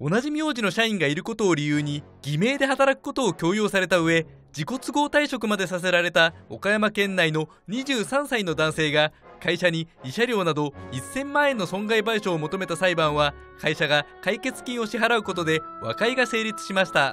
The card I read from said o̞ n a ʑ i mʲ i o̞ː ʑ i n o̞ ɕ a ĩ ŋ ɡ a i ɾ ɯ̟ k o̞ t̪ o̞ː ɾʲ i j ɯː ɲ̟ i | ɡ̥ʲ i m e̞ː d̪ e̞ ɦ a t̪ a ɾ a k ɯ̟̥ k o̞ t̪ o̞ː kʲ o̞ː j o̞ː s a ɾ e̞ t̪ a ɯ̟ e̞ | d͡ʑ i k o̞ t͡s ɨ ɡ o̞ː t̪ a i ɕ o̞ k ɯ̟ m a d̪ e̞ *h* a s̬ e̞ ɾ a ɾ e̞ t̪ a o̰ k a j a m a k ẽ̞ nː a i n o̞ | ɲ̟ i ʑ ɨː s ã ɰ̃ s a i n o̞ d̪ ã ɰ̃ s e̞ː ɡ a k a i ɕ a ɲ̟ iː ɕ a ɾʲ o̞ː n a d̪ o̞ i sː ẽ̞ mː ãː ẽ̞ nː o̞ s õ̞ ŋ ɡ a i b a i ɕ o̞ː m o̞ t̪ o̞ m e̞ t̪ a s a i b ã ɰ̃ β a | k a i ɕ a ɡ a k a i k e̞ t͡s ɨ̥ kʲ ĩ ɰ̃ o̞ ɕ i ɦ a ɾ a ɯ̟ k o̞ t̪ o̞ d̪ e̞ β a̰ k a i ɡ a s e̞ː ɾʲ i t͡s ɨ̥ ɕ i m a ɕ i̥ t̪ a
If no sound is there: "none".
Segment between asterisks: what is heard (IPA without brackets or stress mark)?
s